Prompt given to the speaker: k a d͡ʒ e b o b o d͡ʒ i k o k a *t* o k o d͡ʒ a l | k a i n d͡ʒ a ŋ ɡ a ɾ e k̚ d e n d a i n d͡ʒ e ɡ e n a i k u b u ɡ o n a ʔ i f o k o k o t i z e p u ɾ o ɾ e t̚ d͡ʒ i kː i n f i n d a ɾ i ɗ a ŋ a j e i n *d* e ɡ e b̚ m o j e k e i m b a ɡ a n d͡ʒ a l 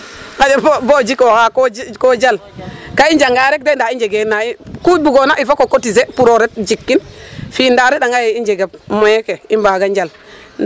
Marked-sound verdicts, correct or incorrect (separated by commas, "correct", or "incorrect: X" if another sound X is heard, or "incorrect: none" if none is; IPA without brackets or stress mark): incorrect: k, incorrect: d͡ʒ